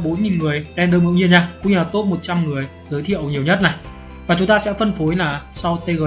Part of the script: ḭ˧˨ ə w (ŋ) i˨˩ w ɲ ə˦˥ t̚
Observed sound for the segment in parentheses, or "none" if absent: ɲ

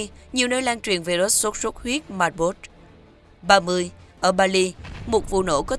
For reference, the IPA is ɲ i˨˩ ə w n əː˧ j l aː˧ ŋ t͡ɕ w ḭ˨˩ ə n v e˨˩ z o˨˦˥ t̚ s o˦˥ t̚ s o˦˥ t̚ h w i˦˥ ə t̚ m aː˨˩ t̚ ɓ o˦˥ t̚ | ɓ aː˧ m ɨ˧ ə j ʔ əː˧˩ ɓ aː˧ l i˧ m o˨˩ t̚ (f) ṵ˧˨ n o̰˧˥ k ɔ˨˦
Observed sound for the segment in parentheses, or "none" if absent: v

